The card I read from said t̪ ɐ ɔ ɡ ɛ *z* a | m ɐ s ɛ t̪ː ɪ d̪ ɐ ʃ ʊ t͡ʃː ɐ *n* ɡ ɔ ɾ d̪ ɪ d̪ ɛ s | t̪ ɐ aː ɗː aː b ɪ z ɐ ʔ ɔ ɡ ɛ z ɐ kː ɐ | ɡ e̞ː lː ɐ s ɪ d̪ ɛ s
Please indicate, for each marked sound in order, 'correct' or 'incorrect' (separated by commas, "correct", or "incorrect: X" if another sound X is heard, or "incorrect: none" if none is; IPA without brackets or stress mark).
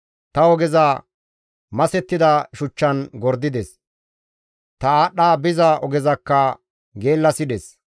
correct, correct